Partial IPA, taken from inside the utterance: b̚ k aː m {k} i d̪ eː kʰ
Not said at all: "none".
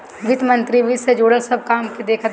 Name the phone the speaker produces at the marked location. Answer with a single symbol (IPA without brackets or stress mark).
k